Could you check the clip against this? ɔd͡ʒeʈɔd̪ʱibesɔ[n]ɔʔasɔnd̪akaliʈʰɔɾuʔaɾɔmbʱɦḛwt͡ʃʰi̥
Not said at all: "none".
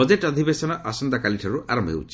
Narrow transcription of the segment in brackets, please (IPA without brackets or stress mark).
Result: n